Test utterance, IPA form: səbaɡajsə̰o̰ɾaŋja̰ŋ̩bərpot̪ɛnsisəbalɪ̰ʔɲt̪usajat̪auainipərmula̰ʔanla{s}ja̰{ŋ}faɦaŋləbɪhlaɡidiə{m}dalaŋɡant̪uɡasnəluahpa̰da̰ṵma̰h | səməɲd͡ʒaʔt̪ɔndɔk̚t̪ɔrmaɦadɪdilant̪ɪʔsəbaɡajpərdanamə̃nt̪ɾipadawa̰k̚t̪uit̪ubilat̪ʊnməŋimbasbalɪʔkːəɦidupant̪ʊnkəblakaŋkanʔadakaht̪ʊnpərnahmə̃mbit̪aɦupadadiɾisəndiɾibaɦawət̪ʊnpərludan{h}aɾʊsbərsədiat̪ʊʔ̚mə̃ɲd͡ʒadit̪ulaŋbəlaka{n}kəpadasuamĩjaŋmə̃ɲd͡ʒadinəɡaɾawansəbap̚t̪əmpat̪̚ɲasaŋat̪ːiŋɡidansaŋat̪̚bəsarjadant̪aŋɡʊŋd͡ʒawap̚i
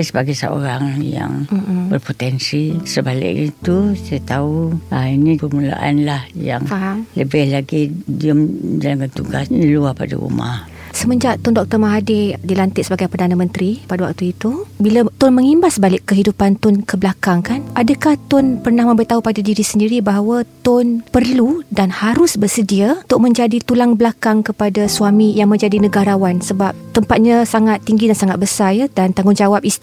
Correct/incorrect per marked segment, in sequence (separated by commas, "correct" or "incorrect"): incorrect, correct, correct, correct, incorrect